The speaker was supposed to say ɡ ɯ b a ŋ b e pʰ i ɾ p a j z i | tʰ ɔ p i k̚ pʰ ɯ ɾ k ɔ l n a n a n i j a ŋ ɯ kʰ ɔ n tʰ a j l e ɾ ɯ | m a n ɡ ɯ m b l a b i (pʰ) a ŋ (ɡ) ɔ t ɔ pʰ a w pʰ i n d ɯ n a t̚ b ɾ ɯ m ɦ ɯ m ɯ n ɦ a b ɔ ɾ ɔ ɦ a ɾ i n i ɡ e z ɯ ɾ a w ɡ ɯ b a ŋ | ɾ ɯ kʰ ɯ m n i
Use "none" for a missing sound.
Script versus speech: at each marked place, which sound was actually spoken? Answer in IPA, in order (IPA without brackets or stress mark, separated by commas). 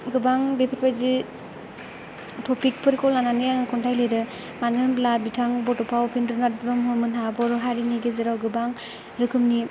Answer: tʰ, b